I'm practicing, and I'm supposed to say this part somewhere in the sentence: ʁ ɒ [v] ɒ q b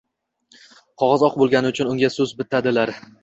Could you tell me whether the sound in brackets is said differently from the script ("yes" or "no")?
yes